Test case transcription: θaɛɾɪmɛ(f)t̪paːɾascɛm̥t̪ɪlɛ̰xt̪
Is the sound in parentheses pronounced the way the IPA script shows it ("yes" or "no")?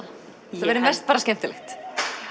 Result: no